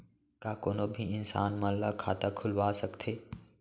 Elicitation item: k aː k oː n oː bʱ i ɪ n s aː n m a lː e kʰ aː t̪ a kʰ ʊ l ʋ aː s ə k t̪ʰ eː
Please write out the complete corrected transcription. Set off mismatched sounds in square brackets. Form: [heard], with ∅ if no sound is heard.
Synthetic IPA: k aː k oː n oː bʱ i ɪ n s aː n m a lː [a] kʰ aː t̪ a kʰ ʊ l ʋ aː s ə k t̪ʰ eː